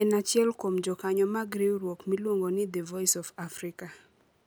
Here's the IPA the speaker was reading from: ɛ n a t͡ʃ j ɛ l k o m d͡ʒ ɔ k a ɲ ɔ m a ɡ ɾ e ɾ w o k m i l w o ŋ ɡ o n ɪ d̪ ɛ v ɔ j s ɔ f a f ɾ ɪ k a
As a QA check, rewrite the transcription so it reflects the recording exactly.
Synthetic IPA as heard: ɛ n a t͡ʃ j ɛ l k o m d͡ʒ ɔ k a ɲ ɔ m a ɡ ɾ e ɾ w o k m i l w o ŋ ɡ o n ɪ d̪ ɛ v ɔ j s ɔ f a f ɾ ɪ k a